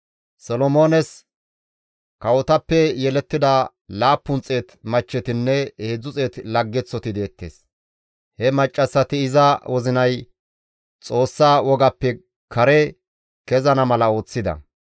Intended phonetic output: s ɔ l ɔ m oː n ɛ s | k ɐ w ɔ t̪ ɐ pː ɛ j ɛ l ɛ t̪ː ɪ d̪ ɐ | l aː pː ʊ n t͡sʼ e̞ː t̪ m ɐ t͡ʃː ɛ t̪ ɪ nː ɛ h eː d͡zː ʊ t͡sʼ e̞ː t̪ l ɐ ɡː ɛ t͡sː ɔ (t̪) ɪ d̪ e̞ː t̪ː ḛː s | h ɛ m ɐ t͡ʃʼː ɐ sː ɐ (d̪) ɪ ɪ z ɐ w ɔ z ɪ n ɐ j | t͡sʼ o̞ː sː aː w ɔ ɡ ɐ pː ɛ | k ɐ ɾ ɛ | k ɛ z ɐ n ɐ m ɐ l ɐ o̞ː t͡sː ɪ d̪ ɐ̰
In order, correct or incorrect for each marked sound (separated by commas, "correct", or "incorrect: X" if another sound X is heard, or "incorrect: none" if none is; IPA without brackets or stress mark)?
correct, incorrect: t̪